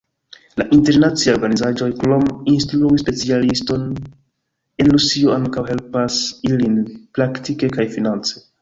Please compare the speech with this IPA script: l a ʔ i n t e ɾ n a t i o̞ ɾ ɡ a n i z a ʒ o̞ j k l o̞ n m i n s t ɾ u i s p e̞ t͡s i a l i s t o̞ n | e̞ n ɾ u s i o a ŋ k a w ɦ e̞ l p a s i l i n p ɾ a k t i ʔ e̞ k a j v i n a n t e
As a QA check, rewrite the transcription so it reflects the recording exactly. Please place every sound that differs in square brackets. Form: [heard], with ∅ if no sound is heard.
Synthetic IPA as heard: l a ʔ i n t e ɾ n a [t͡s] i o̞ ɾ ɡ a n i z a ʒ o̞ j k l o̞ [∅] m i n s t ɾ u i s p e̞ t͡s i a l i s t o̞ n | e̞ n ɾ u s i o a ŋ k a w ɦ e̞ l p a s i l i n p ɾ a k t i [k] e̞ k a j [f] i n a n [t͡s] e